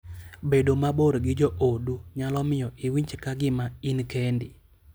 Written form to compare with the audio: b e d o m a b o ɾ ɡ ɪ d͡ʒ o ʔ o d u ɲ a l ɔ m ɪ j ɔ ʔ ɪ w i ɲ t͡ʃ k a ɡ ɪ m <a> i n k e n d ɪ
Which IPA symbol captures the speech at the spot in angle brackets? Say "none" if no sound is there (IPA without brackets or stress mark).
a